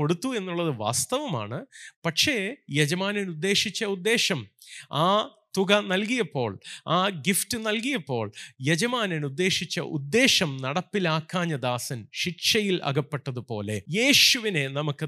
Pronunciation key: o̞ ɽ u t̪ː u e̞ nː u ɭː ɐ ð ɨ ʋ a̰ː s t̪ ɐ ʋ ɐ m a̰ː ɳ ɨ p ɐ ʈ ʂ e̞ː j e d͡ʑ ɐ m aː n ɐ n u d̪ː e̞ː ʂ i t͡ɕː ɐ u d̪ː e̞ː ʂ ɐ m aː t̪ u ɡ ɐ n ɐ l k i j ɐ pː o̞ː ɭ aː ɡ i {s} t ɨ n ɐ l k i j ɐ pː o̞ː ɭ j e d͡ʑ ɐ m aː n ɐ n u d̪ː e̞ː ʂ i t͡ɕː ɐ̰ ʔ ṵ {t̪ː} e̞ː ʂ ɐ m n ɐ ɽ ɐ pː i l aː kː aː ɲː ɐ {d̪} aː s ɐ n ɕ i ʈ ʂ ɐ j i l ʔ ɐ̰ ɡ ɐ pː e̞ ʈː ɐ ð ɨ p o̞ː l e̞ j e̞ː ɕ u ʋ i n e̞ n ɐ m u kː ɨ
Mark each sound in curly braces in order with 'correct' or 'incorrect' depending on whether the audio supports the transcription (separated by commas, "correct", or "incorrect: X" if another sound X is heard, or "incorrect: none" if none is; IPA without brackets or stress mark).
incorrect: f, incorrect: d̪ː, correct